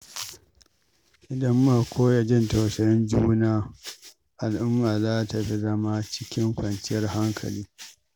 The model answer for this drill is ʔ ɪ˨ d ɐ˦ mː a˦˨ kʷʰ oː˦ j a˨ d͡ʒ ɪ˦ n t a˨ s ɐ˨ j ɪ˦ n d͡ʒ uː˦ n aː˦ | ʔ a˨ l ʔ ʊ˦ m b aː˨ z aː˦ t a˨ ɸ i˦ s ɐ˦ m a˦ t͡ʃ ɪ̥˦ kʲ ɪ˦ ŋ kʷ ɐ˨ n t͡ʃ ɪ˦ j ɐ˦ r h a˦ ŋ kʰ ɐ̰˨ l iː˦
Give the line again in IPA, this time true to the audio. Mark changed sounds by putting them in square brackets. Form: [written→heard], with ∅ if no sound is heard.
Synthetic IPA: ʔ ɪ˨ d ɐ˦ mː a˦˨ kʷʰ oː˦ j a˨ d͡ʒ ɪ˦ n t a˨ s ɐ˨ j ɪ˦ n d͡ʒ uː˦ n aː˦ | ʔ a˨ l ʔ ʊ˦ m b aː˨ z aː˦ t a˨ ɸ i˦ [s→z] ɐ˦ m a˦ t͡ʃ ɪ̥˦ kʲ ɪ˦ ŋ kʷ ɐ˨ n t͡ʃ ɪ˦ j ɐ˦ r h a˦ ŋ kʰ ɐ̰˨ l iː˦